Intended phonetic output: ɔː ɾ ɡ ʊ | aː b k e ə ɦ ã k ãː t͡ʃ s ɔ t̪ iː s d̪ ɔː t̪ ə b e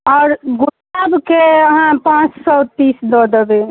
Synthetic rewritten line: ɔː ɾ ɡ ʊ | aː b k e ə ɦ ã p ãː t͡ʃ s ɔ t̪ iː s d̪ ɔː d̪ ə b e

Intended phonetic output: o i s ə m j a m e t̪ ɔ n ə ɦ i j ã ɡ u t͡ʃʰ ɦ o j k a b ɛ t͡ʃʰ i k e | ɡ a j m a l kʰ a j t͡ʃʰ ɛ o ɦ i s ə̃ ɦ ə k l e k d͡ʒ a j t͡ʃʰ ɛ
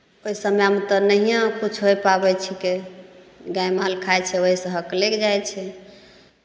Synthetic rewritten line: o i s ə m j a m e t̪ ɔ n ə ɦ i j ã k u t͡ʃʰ ɦ o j p a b ɛ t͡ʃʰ i k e | ɡ a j m a l kʰ a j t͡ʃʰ ɛ o ɦ i s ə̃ ɦ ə k l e k d͡ʒ a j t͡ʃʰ ɛ

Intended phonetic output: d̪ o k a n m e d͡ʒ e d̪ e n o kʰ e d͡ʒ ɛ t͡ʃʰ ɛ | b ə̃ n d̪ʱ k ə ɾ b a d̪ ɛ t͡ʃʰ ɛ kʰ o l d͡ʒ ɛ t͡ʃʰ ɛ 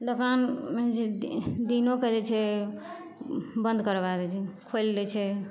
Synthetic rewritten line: d̪ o k a n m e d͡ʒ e d̪ i n o k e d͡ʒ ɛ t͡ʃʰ ɛ | b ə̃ n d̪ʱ k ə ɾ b a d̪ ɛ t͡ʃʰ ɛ kʰ o l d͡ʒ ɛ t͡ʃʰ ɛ

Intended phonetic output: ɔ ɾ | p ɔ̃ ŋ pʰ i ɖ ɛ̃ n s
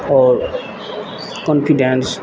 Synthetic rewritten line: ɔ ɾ | k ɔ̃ n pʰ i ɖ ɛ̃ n s

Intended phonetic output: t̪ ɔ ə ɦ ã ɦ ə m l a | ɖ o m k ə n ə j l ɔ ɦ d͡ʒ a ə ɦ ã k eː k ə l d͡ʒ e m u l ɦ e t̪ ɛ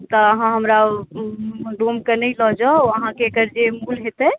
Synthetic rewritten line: t̪ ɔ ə ɦ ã ɦ ə m ɾ a | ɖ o m k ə n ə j l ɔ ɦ d͡ʒ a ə ɦ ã k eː k ə ɾ d͡ʒ e m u l ɦ e t̪ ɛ

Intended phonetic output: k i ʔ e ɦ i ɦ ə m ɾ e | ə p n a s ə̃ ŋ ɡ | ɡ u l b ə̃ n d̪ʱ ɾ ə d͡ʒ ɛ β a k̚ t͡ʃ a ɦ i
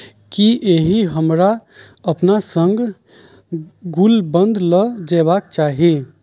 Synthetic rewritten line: k i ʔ e ɦ i ɦ ə m ɾ a | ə p n a s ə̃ ŋ ɡ | ɡ u l b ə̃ n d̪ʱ l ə d͡ʒ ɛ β a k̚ t͡ʃ a ɦ i

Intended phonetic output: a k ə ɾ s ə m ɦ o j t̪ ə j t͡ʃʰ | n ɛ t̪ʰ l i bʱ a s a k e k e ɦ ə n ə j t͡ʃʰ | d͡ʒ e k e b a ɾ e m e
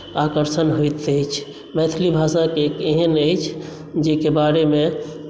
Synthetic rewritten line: a k ə ɾ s ə n ɦ o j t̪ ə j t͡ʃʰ | m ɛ t̪ʰ l i bʱ a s a k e k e ɦ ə n ə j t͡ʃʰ | d͡ʒ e k e b a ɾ e m e

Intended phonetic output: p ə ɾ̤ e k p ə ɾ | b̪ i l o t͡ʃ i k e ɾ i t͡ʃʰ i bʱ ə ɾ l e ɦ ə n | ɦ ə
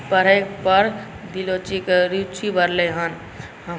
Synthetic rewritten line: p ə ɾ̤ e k p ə ɾ | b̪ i l o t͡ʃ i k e ɾ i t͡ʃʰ i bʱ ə ɾ l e ɦ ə n | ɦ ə

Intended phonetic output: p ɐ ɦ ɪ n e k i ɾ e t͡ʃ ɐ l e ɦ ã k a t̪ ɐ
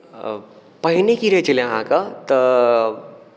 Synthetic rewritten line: p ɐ ɦ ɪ n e k i ɾ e t͡ʃ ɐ l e ɦ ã k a t̪ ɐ

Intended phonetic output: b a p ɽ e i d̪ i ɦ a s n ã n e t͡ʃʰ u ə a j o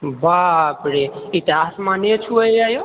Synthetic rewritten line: b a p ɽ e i t̪ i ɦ a s m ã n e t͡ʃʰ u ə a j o

